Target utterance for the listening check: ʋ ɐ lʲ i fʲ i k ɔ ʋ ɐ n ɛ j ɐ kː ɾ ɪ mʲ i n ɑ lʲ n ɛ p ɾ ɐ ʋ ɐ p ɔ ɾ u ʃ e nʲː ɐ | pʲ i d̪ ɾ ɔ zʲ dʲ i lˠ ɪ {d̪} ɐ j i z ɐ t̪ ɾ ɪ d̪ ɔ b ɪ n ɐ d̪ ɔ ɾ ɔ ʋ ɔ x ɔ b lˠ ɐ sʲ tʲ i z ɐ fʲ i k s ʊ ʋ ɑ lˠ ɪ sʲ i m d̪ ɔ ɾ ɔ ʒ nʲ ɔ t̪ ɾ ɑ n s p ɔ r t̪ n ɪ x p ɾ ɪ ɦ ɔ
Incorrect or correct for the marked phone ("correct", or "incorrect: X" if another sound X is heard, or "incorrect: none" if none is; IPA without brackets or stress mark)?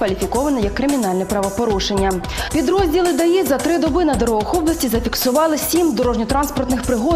correct